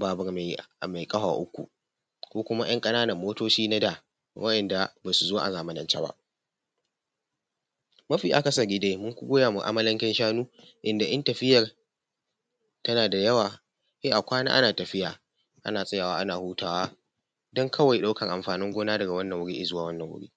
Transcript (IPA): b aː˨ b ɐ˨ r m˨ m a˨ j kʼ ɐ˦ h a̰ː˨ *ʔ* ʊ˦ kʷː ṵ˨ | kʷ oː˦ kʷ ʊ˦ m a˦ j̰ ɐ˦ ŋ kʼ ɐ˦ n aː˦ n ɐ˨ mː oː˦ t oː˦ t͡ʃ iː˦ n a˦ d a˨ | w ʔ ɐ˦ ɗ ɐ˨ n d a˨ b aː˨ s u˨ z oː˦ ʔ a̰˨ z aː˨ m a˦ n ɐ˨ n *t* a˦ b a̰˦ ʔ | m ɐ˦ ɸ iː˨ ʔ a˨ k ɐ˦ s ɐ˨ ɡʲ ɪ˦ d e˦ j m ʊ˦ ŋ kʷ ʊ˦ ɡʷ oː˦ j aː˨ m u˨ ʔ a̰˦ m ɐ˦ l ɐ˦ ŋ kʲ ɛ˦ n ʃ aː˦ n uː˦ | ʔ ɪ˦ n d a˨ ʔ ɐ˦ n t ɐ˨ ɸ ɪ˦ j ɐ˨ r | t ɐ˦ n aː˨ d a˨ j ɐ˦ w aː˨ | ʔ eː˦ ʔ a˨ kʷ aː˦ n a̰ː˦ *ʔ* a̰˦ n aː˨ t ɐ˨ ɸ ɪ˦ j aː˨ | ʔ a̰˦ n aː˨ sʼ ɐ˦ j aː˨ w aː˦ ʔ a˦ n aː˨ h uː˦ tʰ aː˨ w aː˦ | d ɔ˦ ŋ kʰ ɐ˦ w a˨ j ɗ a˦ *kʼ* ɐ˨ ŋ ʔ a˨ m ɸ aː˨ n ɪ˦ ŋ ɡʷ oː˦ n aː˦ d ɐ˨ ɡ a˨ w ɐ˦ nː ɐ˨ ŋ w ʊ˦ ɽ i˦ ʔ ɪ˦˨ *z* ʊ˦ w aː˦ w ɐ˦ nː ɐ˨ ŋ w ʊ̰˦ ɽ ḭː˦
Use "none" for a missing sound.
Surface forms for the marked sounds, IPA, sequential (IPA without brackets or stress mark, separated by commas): ʔ, t͡ʃ, ʔ, k, z